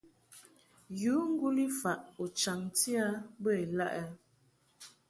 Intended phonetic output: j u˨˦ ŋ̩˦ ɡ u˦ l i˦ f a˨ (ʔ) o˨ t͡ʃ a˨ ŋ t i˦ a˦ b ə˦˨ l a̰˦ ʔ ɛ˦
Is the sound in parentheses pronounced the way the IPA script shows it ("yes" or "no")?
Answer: yes